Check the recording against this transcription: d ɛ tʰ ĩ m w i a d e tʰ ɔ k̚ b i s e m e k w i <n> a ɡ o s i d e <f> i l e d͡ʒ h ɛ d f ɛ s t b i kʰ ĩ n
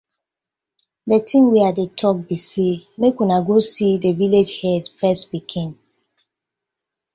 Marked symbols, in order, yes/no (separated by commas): yes, no